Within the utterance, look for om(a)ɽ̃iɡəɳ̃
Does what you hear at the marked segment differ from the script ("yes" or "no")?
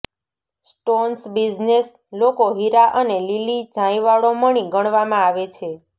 yes